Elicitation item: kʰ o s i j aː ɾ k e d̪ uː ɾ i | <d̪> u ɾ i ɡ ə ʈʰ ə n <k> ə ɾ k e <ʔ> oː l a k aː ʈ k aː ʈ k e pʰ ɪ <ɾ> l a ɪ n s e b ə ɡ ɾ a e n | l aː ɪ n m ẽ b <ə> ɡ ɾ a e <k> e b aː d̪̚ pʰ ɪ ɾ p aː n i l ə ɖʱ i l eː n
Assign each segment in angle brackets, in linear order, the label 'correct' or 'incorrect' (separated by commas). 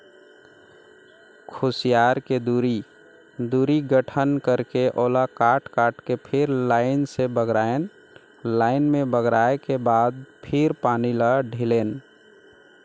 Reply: correct, correct, correct, correct, correct, correct